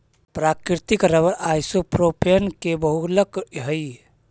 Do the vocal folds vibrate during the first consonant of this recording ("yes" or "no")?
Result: no